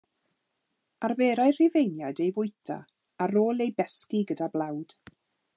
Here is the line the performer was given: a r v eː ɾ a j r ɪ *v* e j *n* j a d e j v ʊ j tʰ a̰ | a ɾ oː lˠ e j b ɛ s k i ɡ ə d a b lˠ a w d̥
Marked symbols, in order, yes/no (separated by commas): yes, yes